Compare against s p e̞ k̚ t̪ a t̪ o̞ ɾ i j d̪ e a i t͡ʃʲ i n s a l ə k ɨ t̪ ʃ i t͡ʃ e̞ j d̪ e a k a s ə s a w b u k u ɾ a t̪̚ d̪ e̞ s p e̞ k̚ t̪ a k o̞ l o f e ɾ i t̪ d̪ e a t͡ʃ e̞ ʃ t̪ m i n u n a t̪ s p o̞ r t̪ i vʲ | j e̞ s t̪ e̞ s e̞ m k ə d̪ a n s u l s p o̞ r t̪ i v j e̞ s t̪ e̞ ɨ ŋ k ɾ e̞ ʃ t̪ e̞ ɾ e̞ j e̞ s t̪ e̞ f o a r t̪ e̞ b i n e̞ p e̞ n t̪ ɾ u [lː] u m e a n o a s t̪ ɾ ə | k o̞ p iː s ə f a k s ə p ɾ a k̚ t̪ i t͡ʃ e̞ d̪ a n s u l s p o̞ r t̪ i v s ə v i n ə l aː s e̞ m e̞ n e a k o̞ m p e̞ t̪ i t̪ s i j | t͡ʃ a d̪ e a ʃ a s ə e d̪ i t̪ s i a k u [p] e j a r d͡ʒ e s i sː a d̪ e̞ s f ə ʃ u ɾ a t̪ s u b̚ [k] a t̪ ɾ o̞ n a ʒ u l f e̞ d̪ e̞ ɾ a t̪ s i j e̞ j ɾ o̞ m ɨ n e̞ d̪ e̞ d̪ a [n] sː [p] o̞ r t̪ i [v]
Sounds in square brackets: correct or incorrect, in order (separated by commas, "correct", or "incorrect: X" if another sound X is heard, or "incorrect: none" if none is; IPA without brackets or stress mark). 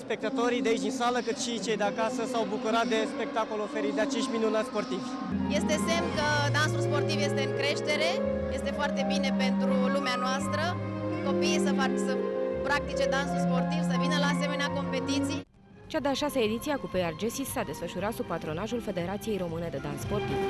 incorrect: l, correct, incorrect: p, correct, correct, correct